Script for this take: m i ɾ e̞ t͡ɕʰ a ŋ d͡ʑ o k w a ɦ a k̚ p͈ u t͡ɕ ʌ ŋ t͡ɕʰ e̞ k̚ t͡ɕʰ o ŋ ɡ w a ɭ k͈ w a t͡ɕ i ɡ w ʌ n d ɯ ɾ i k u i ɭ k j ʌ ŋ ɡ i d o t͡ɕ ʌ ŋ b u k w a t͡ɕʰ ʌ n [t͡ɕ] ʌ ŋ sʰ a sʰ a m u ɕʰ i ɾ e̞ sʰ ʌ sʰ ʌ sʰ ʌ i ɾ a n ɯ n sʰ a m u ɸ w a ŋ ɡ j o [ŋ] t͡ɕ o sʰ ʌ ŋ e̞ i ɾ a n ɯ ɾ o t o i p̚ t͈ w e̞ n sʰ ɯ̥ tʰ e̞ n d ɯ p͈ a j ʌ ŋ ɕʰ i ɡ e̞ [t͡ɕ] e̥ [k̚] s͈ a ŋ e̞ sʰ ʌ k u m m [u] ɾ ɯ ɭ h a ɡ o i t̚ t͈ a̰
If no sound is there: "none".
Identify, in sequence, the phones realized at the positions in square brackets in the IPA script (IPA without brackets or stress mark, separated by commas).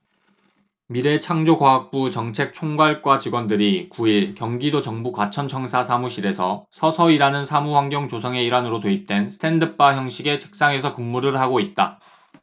t͡ɕʰ, ŋ, t͡ɕʰ, k̚, u